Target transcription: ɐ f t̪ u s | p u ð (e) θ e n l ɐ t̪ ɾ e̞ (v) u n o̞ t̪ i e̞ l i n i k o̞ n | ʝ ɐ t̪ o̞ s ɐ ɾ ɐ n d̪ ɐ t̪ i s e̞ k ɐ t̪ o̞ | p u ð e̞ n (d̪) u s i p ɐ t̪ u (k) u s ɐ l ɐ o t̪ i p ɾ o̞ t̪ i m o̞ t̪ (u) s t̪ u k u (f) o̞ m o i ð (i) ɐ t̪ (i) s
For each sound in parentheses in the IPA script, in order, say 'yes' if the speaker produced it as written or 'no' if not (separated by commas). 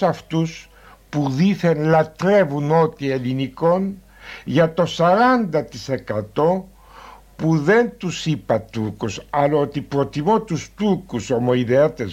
no, yes, no, yes, yes, no, no, no